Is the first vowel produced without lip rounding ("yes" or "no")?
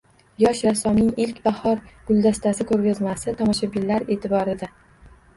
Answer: no